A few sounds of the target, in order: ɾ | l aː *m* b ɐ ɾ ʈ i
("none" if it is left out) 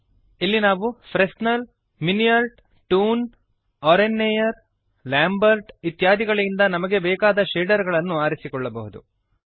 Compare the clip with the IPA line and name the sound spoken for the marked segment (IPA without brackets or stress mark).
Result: m